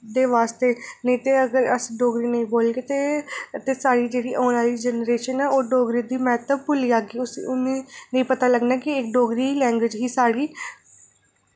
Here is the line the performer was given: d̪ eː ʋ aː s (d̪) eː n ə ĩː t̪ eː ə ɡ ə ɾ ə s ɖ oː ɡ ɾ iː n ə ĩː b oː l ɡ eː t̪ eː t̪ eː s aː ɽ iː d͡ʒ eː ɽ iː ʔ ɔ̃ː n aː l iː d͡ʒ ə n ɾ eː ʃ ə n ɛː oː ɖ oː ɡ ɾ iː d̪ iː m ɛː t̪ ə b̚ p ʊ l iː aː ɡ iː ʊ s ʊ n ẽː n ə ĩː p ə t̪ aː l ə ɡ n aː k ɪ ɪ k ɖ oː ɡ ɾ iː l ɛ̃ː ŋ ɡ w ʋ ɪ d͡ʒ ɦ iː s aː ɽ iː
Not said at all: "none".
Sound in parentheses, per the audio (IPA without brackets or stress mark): t̪